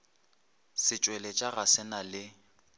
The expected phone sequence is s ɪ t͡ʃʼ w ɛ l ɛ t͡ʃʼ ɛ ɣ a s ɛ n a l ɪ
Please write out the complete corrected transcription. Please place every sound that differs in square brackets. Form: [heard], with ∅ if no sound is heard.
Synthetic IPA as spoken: s ɪ t͡ʃʼ w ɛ l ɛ t͡ʃʼ [a] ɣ a s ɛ n a l ɪ